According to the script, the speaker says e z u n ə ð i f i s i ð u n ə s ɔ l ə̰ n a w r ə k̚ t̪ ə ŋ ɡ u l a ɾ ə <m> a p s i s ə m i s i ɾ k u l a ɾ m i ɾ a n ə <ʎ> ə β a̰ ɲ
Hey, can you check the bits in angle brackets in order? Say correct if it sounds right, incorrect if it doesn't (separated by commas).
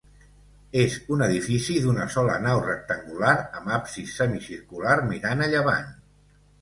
correct, correct